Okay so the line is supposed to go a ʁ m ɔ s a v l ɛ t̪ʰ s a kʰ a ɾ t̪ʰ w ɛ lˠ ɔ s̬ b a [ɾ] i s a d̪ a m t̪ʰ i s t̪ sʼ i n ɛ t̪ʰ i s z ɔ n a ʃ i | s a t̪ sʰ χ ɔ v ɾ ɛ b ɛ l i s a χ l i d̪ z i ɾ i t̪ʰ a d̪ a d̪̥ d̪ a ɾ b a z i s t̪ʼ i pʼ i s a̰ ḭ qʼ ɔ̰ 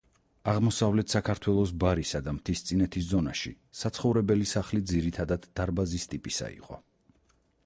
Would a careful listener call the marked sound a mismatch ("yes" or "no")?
no